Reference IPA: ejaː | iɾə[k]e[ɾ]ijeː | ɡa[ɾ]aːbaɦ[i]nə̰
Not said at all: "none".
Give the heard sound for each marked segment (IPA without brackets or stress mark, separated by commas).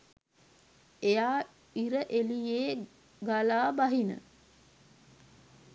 ʔ, l, l, i